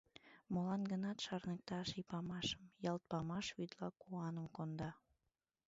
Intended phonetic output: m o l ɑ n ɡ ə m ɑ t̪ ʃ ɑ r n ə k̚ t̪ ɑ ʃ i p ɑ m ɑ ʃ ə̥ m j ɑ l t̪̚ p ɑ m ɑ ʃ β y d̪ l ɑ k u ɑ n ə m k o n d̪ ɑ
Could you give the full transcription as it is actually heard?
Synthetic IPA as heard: m o l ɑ n ɡ ə n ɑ t̪ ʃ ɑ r n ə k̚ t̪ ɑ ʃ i p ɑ m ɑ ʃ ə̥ m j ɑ l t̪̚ p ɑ m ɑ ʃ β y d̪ l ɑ k u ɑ n ə m k o n d̪ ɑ